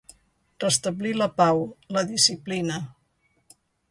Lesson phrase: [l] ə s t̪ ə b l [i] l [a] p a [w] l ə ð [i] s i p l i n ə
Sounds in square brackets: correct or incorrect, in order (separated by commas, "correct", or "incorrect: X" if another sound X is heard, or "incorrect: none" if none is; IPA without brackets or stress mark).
incorrect: r, correct, incorrect: ə, correct, correct